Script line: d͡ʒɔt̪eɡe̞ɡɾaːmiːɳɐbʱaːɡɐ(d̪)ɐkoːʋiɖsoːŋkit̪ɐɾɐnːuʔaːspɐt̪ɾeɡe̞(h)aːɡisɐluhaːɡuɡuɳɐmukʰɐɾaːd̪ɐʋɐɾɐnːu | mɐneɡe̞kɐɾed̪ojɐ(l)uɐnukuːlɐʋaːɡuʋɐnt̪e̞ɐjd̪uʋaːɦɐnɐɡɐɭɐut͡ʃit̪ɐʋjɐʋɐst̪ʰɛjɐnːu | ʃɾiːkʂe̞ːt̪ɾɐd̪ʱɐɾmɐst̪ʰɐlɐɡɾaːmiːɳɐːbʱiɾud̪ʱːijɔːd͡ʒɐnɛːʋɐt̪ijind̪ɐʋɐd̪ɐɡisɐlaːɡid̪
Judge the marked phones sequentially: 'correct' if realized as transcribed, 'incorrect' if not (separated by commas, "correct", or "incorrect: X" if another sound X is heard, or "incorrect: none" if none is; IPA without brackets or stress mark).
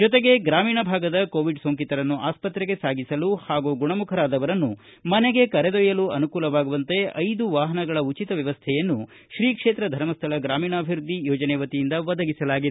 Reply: correct, incorrect: s, correct